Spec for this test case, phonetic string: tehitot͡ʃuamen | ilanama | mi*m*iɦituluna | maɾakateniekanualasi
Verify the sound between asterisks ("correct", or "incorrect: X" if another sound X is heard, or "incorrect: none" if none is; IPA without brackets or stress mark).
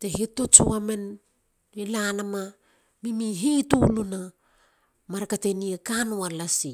correct